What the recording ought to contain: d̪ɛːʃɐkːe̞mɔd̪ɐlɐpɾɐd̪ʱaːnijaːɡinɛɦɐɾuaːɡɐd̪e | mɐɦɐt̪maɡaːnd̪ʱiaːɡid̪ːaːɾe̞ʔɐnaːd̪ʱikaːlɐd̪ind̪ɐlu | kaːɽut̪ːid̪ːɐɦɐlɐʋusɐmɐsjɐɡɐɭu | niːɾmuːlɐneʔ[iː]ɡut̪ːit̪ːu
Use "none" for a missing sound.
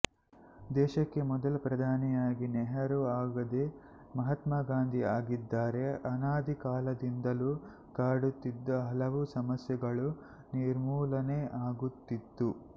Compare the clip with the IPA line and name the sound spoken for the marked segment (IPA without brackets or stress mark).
aː